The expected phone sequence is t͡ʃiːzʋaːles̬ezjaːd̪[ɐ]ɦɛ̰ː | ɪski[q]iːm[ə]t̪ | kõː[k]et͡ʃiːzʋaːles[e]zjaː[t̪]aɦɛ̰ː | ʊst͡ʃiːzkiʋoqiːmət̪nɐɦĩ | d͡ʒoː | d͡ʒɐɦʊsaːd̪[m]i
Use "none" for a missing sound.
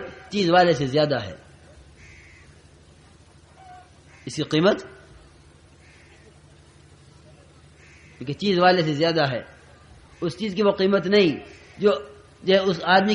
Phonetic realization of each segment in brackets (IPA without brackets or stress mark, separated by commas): a, q, ə, k, e, d̪, m